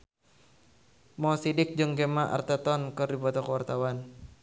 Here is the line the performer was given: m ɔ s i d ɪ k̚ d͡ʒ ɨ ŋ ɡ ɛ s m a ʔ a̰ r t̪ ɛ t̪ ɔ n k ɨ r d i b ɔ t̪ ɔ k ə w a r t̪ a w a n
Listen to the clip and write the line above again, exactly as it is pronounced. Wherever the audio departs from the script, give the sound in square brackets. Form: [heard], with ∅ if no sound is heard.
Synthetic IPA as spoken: m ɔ s i d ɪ k̚ d͡ʒ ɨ ŋ ɡ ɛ [∅] m a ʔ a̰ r t̪ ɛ t̪ ɔ n k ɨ r d i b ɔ t̪ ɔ k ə w a r t̪ a w a n